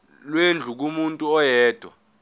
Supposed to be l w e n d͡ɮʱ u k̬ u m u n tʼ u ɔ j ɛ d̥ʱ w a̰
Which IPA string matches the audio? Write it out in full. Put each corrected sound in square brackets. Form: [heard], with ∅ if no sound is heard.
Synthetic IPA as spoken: l w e n d͡ɮʱ u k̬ u m u n tʼ u ɔ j [ɛː] d̥ʱ w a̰